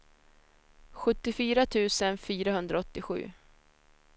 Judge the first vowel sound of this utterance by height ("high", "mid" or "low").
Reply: mid